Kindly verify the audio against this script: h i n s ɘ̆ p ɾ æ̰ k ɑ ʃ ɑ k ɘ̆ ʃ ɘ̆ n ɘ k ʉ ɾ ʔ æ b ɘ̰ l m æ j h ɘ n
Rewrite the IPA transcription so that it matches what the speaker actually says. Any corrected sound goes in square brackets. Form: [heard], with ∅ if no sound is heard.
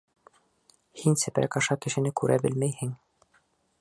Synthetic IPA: h i n s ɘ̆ p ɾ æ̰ k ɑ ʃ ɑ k ɘ̆ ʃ ɘ̆ n ɘ k ʉ ɾ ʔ æ b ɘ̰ l m æ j h ɘ [ŋ]